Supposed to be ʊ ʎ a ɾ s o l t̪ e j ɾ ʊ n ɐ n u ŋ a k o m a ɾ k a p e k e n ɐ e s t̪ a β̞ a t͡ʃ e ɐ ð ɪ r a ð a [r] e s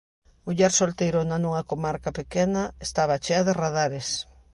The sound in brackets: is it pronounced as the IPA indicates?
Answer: no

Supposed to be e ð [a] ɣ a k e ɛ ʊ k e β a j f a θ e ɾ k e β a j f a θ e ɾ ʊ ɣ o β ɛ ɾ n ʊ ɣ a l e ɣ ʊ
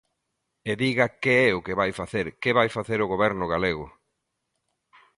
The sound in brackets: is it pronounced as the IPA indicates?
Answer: no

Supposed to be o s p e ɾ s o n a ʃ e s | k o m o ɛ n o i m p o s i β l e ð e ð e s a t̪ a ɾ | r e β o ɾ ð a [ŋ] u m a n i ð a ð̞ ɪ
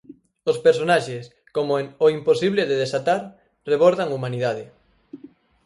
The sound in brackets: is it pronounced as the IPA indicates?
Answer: yes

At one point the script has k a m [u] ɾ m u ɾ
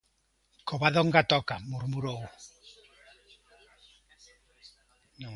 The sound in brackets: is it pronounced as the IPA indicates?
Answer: yes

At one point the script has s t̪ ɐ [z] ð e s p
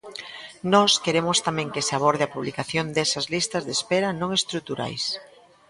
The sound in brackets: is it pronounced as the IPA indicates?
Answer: yes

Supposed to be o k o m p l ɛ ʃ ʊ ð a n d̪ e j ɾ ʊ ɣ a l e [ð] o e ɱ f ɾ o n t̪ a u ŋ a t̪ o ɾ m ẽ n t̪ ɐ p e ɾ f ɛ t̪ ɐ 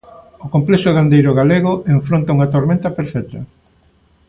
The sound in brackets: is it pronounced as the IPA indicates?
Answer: no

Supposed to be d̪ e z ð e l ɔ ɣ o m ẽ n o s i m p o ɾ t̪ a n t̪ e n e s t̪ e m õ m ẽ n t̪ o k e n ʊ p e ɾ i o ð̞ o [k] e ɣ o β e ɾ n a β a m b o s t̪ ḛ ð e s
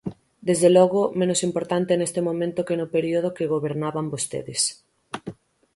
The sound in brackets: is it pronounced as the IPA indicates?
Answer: yes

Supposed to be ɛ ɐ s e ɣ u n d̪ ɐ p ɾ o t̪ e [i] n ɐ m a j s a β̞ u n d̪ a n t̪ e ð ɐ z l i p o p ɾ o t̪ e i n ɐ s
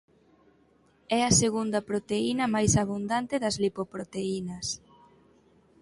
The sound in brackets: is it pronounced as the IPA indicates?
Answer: yes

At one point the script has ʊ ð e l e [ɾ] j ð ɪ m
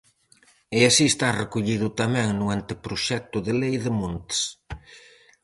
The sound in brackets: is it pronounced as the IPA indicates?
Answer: no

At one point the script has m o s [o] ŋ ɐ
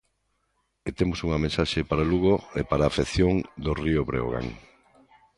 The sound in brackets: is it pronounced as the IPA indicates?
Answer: no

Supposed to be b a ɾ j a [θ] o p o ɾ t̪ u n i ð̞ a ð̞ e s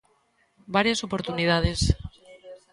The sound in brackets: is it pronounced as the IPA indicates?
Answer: no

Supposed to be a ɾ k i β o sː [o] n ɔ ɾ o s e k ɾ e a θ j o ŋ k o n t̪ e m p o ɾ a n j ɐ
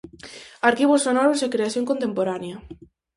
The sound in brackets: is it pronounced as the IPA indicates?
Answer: yes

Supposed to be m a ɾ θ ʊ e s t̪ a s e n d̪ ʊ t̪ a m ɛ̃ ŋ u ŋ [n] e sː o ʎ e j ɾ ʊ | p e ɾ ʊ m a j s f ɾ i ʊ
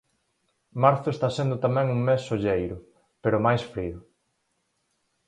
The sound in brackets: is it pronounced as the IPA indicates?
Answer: no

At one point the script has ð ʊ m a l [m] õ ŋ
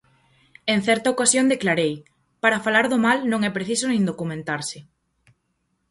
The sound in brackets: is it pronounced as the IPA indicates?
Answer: no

